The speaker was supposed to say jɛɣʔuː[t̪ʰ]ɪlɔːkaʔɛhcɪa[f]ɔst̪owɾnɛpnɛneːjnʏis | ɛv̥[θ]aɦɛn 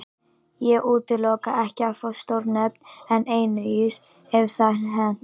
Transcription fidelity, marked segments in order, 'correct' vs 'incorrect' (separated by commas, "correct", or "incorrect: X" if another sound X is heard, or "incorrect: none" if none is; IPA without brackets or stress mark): incorrect: t̪, correct, correct